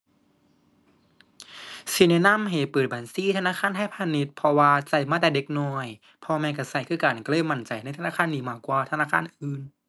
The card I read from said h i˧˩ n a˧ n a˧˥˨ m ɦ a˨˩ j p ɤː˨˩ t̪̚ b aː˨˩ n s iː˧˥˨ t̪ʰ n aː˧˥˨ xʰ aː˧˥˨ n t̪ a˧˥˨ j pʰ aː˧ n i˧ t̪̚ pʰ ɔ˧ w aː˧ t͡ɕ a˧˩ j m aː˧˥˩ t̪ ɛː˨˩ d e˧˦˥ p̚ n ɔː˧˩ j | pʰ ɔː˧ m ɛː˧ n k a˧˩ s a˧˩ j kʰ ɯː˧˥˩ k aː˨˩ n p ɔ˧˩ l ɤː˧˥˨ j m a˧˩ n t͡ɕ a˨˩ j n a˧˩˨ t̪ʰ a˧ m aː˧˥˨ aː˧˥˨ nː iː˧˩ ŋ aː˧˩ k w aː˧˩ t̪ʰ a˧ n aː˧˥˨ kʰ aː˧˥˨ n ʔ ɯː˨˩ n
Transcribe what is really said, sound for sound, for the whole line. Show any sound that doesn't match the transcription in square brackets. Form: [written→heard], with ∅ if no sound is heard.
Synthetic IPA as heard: [h→s] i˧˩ n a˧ n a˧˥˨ m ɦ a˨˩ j p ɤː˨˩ t̪̚ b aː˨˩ n s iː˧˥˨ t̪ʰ n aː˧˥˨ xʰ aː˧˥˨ n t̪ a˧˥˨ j pʰ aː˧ n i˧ t̪̚ pʰ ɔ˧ w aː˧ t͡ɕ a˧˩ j m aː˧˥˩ t̪ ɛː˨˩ d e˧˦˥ [p̚→k̚] n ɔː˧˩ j | pʰ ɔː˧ m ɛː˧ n k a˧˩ s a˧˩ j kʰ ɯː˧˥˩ k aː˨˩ n [p→k] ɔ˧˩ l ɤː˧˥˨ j m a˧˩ n t͡ɕ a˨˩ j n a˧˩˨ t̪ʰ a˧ [m→n] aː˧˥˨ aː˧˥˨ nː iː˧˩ [ŋ→m] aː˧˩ k w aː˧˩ t̪ʰ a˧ n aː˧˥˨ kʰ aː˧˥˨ n ʔ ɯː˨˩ n